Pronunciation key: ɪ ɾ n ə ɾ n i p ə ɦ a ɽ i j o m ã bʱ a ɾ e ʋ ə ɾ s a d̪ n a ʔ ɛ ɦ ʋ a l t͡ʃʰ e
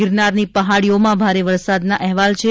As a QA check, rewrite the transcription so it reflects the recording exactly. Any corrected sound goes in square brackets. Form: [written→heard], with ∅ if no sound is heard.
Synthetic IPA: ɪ ɾ n [ə→a] ɾ n i p ə ɦ a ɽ i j o m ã bʱ a ɾ e ʋ ə ɾ s a d̪ n a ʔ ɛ ɦ ʋ a l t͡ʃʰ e